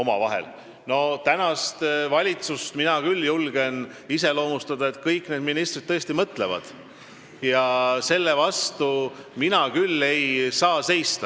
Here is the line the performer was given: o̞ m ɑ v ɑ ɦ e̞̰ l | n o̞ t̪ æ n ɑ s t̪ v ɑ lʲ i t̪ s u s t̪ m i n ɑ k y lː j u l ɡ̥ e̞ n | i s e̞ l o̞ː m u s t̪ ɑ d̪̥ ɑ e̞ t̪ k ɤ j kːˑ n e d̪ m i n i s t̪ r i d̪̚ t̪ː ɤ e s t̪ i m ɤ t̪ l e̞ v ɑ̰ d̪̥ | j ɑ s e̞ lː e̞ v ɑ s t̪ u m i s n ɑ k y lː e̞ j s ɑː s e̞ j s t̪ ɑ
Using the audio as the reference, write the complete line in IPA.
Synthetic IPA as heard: o̞ m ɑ v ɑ ɦ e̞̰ l | n o̞ t̪ æ n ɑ s t̪ v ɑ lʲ i t̪ s u s t̪ m i n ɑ k y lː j u l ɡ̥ e̞ n | i s e̞ l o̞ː m u s t̪ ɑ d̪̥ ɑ e̞ t̪ k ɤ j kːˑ n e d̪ m i n i s t̪ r i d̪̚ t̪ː ɤ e s t̪ i m ɤ t̪ l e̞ v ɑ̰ d̪̥ | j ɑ s e̞ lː e̞ v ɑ s t̪ u m i n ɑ k y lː e̞ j s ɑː s e̞ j s t̪ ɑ

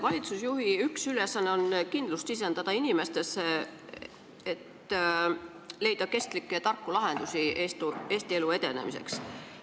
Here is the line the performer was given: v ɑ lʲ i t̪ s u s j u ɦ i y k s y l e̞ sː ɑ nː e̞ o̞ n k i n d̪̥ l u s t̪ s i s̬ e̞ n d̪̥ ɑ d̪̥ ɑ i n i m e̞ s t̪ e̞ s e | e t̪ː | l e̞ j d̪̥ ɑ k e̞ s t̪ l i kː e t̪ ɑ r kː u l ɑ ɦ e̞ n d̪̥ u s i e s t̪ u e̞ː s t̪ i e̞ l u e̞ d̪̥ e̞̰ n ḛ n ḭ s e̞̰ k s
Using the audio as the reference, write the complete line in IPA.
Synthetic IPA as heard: v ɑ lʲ i t̪ s u s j u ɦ i y k s y l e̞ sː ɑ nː e̞ o̞ n k i n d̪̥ l u s t̪ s i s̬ e̞ n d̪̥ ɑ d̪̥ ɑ i n i m e̞ s t̪ e̞ s e | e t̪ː | l e̞ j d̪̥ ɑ k e̞ s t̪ l i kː e t̪ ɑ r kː u l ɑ ɦ e̞ n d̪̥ u s i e s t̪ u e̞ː s t̪ i e̞ l u e̞ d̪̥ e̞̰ n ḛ m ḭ s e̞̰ k s

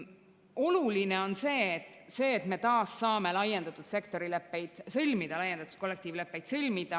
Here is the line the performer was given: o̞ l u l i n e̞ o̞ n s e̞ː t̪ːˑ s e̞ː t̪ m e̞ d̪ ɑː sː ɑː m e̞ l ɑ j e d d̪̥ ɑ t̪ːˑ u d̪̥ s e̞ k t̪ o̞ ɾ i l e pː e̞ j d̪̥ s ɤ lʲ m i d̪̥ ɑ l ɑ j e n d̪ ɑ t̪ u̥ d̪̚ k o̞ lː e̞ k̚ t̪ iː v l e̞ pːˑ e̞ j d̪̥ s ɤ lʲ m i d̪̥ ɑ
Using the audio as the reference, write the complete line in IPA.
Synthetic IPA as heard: o̞ l u l i n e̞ o̞ n s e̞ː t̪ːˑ s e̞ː t̪ m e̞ t̪ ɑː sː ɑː m e̞ l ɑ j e n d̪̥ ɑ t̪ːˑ u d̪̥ s e̞ k t̪ o̞ ɾ i l e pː e̞ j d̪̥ s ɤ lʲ m i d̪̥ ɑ l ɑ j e n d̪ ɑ t̪ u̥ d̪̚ k o̞ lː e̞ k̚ t̪ iː v l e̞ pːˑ e̞ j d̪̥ s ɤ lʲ m i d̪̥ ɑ

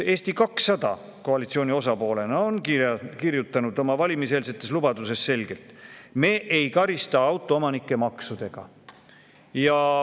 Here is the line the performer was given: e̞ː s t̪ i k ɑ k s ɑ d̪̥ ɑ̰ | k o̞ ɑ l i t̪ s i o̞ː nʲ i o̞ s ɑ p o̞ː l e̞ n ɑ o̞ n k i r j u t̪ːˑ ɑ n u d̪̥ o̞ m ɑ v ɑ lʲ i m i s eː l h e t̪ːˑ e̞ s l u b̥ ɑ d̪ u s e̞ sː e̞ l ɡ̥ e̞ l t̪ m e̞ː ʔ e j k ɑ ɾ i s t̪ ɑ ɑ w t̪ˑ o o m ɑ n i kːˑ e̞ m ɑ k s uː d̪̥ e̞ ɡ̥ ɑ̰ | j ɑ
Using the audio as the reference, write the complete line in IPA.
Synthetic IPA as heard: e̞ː s t̪ i k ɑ k s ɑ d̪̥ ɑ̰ | k o̞ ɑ l i t̪ s i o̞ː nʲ i o̞ s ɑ p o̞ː l e̞ n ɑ o̞ n k i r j u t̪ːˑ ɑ n u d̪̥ o̞ m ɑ v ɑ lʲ i m i s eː l s e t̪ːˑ e̞ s l u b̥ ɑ d̪ u s e̞ sː e̞ l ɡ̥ e̞ l t̪ m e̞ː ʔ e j k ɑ ɾ i s t̪ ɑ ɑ w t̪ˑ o o m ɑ n i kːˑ e̞ m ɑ k s u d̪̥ e̞ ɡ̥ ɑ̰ | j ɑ

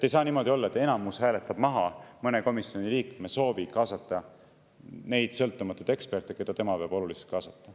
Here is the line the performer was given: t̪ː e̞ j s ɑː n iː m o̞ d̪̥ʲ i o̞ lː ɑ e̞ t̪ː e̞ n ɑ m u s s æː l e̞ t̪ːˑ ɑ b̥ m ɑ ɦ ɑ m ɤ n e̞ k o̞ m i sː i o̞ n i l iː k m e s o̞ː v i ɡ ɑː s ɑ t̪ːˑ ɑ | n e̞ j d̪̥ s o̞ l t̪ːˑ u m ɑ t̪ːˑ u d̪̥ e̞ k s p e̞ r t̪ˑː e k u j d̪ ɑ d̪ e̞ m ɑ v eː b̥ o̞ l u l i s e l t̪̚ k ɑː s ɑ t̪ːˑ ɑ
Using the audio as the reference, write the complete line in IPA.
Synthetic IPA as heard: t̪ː e̞ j s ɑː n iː m o̞ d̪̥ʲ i o̞ lː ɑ e̞ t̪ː e̞ n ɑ m u s h æː l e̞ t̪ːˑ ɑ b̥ m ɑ ɦ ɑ m ɤ n e̞ k o̞ m i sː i o̞ n i l iː k m e s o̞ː v i k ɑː s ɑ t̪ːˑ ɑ | n e̞ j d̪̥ s ɤ̞ l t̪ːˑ u m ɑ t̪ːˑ u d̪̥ e̞ k s p e̞ r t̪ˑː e k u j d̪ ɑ t̪ e̞ m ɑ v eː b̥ o̞ l u l i s e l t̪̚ k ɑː s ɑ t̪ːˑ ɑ

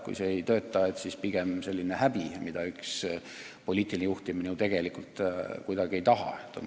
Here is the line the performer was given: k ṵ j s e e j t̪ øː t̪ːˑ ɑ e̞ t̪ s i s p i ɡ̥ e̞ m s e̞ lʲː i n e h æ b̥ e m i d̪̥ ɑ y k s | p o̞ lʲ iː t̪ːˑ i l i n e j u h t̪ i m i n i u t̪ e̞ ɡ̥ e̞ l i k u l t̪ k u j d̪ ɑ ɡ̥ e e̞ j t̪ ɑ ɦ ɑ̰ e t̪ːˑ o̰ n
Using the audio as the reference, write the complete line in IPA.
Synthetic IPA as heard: k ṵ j s e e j t̪ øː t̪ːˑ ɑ e̞ t̪ s i s p i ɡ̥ e̞ m s e̞ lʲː i n e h æ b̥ i m i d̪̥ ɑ y k s | p o̞ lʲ iː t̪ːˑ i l i n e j u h t̪ i m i n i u t̪ e̞ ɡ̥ e̞ l i k u l t̪ k u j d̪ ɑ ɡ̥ i e̞ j t̪ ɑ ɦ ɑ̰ e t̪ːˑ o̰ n

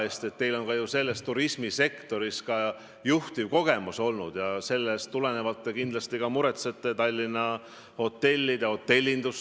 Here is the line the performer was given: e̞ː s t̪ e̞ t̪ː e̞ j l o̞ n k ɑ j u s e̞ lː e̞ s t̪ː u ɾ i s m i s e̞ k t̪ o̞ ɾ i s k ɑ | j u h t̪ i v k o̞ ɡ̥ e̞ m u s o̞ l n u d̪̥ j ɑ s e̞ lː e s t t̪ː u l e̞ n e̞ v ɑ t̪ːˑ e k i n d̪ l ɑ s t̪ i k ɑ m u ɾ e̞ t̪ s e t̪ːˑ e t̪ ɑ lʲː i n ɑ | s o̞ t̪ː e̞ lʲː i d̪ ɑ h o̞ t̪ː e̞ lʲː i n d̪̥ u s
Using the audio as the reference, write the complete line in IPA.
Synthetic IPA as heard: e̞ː s t̪ e̞ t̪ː e̞ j l o̞ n k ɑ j u s e̞ lː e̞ s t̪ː u ɾ i s m i s e̞ k t̪ o̞ ɾ i s k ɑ | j u h t̪ i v k o̞ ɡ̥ e̞ m u s o̞ l n u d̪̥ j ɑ s e̞ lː e s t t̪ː u l e̞ n e̞ v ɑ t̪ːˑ e k i n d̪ l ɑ s t̪ i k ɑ m u ɾ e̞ t̪ s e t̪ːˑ e t̪ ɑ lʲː i n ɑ | h o̞ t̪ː e̞ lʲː i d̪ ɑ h o̞ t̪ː e̞ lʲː i n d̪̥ u s

